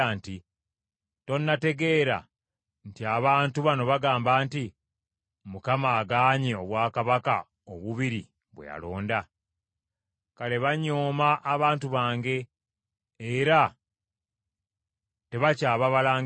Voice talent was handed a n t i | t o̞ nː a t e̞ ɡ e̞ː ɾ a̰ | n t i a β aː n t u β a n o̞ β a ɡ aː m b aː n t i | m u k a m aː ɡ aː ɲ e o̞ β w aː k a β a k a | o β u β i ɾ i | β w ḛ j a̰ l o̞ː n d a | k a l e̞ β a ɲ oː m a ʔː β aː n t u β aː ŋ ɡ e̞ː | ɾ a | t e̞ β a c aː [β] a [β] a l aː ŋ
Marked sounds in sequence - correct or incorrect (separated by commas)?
correct, correct